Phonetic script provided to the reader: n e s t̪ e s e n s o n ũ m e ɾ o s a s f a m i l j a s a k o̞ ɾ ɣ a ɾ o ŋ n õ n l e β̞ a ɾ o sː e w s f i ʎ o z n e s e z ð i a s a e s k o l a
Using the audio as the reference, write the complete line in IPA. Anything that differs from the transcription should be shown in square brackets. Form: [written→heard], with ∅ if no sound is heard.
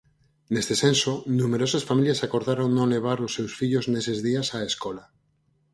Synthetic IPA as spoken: n e s t̪ e s e n s o n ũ m e ɾ o s a s f a m i l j a s a k o̞ ɾ [ɣ→ð] a ɾ o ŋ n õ n l e β̞ a ɾ o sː e w s f i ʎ o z n e s e z ð i a s a e s k o l a